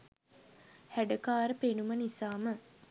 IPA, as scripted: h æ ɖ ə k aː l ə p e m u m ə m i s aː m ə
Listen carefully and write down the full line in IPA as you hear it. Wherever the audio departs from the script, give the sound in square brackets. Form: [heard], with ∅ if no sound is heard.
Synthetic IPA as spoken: h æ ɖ ə k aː [ɾ] ə p e [n] u m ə [n] i s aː m ə

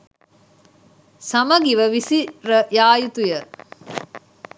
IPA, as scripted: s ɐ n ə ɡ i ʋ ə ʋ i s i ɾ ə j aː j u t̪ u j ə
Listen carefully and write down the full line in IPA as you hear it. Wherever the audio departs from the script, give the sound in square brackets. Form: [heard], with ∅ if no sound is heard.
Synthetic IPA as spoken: s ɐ [m] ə ɡ i ʋ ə ʋ i s i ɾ ə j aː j u t̪ u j ə

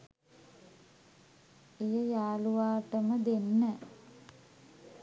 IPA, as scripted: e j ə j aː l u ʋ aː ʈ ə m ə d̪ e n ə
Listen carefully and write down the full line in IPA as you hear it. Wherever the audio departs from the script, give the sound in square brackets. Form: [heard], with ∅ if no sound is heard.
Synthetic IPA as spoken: e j ə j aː l u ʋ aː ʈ ə m ə d̪ e [nː] ə

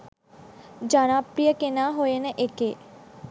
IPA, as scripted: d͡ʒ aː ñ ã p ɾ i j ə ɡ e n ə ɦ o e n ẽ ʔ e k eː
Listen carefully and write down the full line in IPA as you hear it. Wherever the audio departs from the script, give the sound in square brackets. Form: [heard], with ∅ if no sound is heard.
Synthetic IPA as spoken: d͡ʒ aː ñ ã p ɾ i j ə [k] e n [a] ɦ o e n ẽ ʔ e k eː

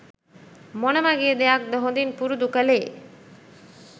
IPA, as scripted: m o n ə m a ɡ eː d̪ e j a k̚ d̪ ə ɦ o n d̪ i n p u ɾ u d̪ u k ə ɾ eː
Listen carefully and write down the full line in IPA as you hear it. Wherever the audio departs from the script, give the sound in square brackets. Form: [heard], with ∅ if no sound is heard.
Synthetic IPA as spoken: m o n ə m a ɡ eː d̪ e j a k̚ d̪ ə ɦ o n d̪ i n p u ɾ u d̪ u k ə [l] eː

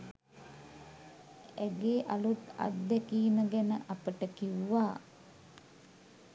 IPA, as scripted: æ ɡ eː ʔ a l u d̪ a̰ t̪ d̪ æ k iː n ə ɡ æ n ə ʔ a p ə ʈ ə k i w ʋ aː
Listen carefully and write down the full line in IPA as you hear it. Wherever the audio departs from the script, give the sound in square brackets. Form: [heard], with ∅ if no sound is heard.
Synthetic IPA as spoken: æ ɡ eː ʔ a l u [t̪] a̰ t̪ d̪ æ k iː n ə ɡ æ n ə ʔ a p ə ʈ ə k i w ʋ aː

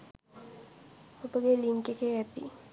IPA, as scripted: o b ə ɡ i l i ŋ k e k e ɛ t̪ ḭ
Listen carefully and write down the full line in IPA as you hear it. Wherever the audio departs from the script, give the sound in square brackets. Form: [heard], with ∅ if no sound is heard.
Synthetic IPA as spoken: o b ə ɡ [e] l i ŋ k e k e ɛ t̪ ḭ

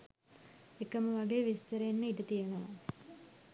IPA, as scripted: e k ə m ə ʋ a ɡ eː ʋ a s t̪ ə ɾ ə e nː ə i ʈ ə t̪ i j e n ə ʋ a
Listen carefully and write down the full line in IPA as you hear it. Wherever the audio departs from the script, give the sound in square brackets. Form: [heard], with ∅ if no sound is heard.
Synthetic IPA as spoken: e k ə m ə ʋ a ɡ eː ʋ [i] s t̪ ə ɾ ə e nː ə i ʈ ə t̪ i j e n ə ʋ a

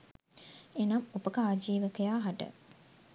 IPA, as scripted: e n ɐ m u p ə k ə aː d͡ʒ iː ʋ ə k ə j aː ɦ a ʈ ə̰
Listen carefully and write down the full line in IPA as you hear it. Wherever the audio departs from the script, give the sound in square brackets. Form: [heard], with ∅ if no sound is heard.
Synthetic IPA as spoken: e n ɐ m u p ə k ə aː d͡ʒ iː ʋ ə k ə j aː ɦ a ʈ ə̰

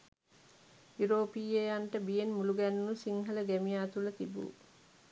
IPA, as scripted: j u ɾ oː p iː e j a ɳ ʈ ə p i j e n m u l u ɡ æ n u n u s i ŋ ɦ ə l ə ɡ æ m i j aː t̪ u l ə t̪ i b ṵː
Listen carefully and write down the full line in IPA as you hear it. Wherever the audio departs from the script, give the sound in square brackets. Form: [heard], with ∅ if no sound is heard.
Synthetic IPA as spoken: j u ɾ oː p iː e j a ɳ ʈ ə [b] i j e n m u l u ɡ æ n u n u s i ŋ ɦ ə l ə ɡ æ m i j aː t̪ u l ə t̪ i b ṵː

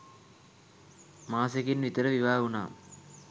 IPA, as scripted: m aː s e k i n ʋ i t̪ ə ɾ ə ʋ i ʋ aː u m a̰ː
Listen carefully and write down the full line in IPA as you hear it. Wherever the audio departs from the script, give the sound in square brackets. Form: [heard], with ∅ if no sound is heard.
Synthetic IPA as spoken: m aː s e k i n ʋ i t̪ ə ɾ ə ʋ i ʋ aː u [n] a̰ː

